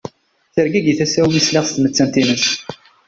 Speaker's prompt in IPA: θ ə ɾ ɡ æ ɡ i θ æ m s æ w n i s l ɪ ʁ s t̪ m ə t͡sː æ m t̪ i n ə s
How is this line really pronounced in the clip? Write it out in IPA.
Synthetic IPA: θ ə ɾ ɡ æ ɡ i θ æ s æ w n i s l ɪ ʁ s t̪ m ə t͡sː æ n t̪ i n ə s